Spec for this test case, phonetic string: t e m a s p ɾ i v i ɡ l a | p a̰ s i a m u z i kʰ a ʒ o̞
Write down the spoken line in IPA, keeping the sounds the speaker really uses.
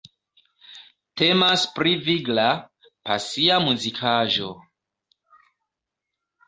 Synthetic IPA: t e m a s p ɾ i v i ɡ l a | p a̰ s i a m u z i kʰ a ʒ o̞

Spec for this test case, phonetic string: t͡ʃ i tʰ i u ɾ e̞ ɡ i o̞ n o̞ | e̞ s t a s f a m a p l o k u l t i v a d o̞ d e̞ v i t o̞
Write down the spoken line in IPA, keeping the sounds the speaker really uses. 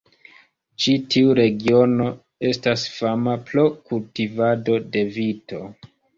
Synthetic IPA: t͡ʃ i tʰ i u ɾ e̞ ɡ i o̞ n o̞ | e̞ s t a s f a m a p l o k u l t i v a d o̞ d e̞ v i t o̞

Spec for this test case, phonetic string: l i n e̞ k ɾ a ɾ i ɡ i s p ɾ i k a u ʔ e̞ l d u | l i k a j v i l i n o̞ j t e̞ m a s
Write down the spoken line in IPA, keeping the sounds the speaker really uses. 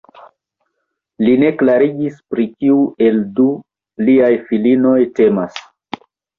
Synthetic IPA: l i n e̞ k l a ɾ i ɡ i s p ɾ i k i u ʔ e̞ l d u | l i a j f i l i n o̞ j t e̞ m a s

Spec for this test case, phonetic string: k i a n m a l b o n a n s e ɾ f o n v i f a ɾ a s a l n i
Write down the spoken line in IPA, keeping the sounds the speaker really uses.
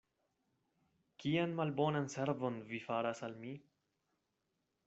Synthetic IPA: k i a n m a l b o n a n s e ɾ v o n v i f a ɾ a s a l m i

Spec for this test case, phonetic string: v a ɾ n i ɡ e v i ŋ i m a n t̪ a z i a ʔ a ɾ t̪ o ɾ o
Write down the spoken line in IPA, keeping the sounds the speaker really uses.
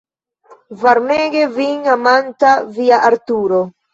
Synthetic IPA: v a ɾ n e ɡ e v i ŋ a m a n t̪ a v i a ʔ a ɾ t̪ u ɾ o

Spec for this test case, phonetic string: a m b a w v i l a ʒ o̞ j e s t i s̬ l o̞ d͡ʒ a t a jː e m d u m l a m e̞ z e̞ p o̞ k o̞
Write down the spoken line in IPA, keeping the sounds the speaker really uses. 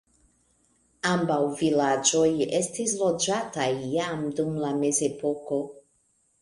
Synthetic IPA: a m b a w v i l a d͡ʒ o̞ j e s t i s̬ l o̞ d͡ʒ a t a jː a m d u m l a m e̞ z e̞ p o̞ k o̞

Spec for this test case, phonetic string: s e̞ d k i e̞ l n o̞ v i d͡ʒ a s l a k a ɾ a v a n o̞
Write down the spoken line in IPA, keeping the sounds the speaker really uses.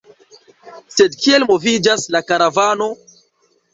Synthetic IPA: s e̞ d k i e̞ l m o̞ v i d͡ʒ a s l a k a ɾ a v a n o̞

